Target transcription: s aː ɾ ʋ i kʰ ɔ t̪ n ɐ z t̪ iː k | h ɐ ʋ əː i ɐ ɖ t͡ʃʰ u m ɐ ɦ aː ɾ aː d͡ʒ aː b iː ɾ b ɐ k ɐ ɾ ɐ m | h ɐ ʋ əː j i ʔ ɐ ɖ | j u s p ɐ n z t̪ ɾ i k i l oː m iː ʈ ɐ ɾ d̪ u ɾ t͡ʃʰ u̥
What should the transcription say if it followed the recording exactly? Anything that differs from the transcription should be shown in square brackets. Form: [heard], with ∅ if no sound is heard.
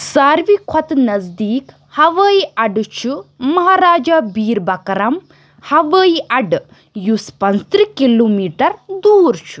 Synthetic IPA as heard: s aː ɾ ʋ i kʰ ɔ t̪ n ɐ z [d̪] iː k | h ɐ ʋ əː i ɐ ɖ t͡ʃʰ u m ɐ ɦ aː ɾ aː d͡ʒ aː b iː ɾ b ɐ k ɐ ɾ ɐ m | h ɐ ʋ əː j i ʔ ɐ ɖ | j u s p ɐ n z t̪ ɾ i k i l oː m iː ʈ ɐ ɾ d̪ [uː] ɾ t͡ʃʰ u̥